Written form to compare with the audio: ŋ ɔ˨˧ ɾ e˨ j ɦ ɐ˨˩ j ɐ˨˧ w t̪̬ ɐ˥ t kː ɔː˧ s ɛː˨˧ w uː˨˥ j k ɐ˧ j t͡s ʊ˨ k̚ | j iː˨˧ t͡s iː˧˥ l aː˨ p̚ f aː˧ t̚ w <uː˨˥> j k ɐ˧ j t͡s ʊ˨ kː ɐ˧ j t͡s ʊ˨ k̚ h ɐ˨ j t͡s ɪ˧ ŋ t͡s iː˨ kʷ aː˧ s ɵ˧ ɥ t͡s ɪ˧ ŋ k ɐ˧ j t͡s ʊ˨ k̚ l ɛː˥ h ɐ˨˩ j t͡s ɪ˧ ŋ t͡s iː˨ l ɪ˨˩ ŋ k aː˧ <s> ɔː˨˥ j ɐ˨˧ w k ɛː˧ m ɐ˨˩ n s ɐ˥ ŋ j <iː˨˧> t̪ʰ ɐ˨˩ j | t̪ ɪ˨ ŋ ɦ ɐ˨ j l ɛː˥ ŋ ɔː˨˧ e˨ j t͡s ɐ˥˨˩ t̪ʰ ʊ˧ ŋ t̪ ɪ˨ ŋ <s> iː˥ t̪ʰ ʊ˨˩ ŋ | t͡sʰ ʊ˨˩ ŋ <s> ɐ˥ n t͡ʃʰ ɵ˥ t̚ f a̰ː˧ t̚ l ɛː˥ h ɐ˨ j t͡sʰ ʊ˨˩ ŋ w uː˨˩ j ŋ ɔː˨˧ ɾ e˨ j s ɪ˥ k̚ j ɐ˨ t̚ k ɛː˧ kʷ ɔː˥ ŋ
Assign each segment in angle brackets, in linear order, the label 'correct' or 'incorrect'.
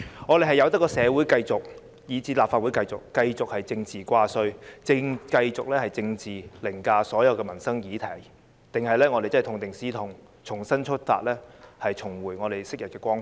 incorrect, correct, correct, correct, correct

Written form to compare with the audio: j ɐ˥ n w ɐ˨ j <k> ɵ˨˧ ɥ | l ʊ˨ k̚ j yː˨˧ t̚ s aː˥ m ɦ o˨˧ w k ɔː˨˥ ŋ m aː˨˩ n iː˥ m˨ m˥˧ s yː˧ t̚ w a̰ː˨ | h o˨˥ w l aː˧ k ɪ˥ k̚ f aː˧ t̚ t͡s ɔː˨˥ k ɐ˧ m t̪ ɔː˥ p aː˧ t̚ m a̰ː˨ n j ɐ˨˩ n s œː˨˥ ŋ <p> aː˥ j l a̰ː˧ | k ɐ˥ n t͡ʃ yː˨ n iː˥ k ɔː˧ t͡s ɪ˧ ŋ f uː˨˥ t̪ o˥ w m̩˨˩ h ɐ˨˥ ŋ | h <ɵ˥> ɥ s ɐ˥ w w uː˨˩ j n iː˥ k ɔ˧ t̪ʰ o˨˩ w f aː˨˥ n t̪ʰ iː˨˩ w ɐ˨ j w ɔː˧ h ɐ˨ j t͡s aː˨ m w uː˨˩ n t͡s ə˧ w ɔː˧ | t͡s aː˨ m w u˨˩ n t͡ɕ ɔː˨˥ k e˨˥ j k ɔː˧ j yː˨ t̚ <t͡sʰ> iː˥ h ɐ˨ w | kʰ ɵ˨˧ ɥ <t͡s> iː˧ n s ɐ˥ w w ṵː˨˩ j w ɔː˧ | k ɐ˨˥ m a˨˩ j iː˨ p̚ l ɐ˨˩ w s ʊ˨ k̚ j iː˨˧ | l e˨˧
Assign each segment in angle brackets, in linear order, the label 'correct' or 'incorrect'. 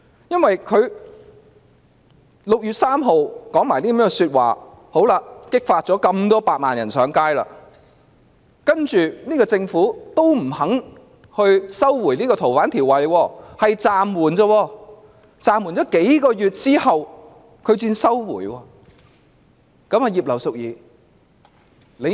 incorrect, incorrect, incorrect, incorrect, correct

